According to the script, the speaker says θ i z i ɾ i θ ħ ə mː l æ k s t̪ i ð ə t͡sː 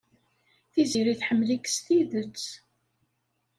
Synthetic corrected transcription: θ i z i ɾ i θ ħ ə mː l i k s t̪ i ð ə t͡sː